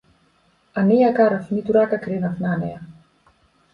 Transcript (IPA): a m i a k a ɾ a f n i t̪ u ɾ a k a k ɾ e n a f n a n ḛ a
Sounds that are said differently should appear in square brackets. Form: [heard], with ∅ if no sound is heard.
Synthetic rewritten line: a [n] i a k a ɾ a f n i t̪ u ɾ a k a k ɾ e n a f n a n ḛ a